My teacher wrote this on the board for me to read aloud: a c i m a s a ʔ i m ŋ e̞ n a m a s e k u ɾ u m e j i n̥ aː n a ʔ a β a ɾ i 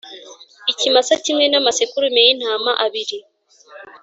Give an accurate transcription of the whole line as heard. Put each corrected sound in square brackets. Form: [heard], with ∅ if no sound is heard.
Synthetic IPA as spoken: [i] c i m a s a [c] i m ŋ e̞ n a m a s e k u ɾ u m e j i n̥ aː [m] a ʔ a β [i] ɾ i